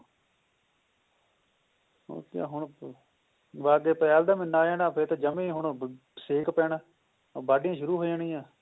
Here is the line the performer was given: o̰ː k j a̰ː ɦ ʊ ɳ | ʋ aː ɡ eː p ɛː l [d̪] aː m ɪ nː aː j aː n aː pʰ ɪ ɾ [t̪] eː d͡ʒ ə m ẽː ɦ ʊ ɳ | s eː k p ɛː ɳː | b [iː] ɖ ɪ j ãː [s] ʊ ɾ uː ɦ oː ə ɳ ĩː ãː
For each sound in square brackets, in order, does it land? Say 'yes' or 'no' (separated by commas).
yes, yes, no, no